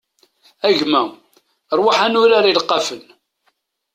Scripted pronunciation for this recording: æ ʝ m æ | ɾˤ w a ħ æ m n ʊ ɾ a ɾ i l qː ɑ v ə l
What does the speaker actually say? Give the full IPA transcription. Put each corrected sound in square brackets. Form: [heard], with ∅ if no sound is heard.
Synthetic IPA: æ ʝ m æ | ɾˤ w a ħ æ [∅] n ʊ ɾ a ɾ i l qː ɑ [f] ə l